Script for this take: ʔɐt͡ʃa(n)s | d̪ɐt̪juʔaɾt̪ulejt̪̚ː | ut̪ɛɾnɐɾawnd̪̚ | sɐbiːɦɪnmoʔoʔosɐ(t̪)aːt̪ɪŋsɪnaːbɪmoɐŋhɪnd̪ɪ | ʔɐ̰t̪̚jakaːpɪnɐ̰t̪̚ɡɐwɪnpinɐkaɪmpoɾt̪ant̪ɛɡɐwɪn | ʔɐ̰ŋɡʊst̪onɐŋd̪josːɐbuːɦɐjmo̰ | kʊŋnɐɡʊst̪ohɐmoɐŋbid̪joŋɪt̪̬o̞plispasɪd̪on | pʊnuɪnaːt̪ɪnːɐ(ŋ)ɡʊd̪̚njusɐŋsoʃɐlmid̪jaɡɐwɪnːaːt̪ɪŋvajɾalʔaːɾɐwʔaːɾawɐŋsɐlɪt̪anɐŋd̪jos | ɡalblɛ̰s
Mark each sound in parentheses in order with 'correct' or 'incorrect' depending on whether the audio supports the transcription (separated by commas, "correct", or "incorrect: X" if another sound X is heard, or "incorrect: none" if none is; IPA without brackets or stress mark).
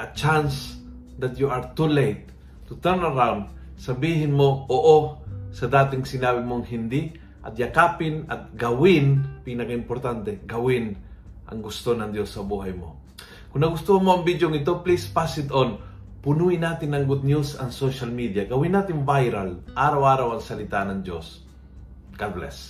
correct, incorrect: d̪, correct